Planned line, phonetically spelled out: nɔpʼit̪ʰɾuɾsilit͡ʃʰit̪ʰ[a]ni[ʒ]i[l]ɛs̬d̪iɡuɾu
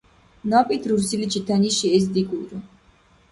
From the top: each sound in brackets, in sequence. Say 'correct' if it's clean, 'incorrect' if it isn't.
correct, incorrect: ʃ, incorrect: none

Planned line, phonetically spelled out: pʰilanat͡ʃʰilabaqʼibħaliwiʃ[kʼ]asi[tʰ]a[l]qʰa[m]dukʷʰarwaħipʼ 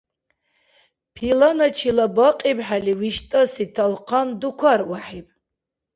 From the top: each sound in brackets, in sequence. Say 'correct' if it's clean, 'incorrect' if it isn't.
incorrect: tʼ, correct, correct, incorrect: n

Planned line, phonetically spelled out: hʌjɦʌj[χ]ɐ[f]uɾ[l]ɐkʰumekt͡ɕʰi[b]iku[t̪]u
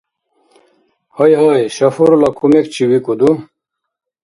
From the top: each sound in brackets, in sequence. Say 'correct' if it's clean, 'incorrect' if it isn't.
incorrect: ɕ, correct, correct, incorrect: w, incorrect: d̪

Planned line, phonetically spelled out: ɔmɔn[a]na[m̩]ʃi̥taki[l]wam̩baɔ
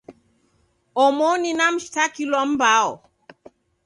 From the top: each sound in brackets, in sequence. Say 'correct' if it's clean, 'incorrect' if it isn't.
incorrect: i, correct, correct

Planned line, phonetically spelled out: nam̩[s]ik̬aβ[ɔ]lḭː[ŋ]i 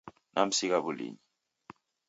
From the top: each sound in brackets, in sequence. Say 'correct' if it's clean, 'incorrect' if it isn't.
correct, incorrect: u, incorrect: ɲ

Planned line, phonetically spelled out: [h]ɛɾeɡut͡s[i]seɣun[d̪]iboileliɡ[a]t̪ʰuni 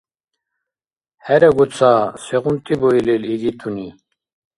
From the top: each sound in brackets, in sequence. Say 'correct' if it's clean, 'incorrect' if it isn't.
correct, incorrect: a, incorrect: t̪, incorrect: i

